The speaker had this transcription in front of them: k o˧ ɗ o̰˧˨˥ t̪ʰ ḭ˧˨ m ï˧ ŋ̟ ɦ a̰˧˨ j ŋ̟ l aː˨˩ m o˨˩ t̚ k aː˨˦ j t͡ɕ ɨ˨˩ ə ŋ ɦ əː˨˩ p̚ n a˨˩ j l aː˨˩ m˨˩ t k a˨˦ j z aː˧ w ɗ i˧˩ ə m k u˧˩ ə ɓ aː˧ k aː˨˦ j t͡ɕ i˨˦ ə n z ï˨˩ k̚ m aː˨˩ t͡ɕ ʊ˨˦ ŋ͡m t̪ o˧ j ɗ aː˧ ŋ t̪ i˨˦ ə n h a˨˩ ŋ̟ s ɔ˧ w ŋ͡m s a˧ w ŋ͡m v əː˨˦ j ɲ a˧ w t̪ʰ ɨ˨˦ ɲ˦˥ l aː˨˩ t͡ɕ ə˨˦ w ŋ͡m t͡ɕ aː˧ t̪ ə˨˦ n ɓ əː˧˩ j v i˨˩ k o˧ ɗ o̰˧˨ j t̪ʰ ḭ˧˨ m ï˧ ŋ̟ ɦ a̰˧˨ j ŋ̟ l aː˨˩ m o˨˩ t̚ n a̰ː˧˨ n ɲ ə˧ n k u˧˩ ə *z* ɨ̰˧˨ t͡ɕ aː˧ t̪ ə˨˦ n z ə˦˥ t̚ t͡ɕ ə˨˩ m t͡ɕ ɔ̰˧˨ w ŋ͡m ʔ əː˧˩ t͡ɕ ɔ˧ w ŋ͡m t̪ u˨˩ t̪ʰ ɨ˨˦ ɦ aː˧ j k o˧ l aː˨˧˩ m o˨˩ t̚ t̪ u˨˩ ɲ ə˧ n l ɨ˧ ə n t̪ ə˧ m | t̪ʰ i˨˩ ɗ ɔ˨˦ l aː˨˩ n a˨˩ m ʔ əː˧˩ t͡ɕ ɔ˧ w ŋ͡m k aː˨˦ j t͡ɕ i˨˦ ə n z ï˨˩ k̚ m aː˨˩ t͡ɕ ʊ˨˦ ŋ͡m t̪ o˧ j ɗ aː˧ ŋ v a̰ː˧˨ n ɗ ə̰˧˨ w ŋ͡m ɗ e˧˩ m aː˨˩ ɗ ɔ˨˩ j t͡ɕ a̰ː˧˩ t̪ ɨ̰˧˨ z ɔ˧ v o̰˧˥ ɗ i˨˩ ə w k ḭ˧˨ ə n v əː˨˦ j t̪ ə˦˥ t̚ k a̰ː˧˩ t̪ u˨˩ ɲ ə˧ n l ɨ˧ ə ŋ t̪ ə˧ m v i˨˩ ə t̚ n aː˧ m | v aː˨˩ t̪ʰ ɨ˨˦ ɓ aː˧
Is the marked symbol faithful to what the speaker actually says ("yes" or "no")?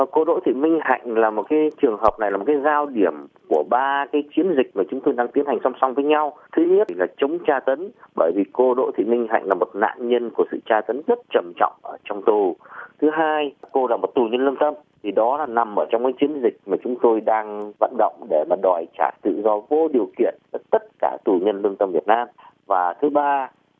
no